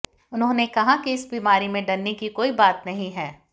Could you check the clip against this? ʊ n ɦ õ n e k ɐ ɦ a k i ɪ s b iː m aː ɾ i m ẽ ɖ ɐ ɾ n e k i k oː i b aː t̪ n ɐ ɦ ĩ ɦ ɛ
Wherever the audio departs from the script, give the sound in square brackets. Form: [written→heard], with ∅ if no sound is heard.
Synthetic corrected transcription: ʊ n ɦ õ n e k ɐ ɦ a k i ɪ s b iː m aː ɾ i m ẽ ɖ ɐ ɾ n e k i k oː i b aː t̪ n ɐ ɦ ĩ ɦ [ɛ→ɛː]